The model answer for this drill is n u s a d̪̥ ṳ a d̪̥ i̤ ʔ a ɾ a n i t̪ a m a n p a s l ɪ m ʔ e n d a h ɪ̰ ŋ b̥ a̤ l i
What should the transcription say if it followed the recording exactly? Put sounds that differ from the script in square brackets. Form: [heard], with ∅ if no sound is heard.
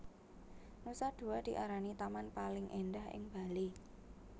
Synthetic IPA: n u s a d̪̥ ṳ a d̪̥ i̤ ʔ a ɾ a n i t̪ a m a n p a [∅] l ɪ [ŋ] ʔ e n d a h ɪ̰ ŋ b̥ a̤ l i